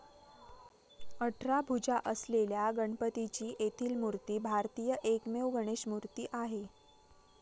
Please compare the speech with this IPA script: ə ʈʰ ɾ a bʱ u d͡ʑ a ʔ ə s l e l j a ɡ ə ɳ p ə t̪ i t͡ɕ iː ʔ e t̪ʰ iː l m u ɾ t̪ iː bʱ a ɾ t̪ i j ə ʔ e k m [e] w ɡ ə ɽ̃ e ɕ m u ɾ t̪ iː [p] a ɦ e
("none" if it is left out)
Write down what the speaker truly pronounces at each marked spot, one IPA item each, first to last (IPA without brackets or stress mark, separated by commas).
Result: e, ʔ